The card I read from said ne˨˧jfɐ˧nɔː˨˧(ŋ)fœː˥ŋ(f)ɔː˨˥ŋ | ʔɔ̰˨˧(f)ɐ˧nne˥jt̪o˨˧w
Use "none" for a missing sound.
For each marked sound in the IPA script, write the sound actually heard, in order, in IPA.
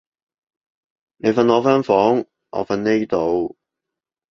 none, f, f

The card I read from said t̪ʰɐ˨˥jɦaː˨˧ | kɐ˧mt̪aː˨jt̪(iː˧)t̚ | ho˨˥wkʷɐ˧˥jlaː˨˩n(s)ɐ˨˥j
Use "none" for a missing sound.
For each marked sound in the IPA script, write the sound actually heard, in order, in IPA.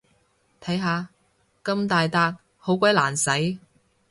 aː˧, s

